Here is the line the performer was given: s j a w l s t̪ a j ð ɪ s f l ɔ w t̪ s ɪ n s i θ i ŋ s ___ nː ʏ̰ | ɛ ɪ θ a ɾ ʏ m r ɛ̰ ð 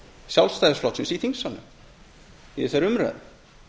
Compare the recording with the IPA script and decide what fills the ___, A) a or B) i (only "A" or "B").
A